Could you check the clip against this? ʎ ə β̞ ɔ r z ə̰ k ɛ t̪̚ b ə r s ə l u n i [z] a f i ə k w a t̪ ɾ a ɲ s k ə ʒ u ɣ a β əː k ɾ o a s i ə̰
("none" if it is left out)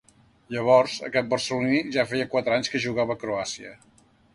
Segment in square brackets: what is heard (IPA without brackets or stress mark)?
ʒ